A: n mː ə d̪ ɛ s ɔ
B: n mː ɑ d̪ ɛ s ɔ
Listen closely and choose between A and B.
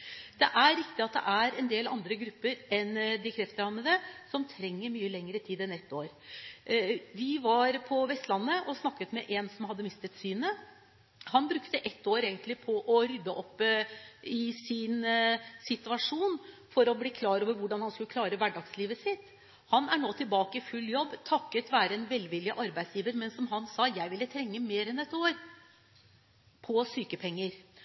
A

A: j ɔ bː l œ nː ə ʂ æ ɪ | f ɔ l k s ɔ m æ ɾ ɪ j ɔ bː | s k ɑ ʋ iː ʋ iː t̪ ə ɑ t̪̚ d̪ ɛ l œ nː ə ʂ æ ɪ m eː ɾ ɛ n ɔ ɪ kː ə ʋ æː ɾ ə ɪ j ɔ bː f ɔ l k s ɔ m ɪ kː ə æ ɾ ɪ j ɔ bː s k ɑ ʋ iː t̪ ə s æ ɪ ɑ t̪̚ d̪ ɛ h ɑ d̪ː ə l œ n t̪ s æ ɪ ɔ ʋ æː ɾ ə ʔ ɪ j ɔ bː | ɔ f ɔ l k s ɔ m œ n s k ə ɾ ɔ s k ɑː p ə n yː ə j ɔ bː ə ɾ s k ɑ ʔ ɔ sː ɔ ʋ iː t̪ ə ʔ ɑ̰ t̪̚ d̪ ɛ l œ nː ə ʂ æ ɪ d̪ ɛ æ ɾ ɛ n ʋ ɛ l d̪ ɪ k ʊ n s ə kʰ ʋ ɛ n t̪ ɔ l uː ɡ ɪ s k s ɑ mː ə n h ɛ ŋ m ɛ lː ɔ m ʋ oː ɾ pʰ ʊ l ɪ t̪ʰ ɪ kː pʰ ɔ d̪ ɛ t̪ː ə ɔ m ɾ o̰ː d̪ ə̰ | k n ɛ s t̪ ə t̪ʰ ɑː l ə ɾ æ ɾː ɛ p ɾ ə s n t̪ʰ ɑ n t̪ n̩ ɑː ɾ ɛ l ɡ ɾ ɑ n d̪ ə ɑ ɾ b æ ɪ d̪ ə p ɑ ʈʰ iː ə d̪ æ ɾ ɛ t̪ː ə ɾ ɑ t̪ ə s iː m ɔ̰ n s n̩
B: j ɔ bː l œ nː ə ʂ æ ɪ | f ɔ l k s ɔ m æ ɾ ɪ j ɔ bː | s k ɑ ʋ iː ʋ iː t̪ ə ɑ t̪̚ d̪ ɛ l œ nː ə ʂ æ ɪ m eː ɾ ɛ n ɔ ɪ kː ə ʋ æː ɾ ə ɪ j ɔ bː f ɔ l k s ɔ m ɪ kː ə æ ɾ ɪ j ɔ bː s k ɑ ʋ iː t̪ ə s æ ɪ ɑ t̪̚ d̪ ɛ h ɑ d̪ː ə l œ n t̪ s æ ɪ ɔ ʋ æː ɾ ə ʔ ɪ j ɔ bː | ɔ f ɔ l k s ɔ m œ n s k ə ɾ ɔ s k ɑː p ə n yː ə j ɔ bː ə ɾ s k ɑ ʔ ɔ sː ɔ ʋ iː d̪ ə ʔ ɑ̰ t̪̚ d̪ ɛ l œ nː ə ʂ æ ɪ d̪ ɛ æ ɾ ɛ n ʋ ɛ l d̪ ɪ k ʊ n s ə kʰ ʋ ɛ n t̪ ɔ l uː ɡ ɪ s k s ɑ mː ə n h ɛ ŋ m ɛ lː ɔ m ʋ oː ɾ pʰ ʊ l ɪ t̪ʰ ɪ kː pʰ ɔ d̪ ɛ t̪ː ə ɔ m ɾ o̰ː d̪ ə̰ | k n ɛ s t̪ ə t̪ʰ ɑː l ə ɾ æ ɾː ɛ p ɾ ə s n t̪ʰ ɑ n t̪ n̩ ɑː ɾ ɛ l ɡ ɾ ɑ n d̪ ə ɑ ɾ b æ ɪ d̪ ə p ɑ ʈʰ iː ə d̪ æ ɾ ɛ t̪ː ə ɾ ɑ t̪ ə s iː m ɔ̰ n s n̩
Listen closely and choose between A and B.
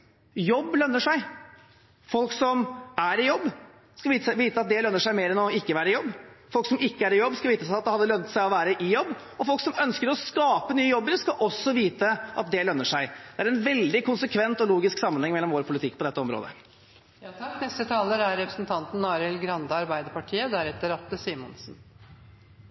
A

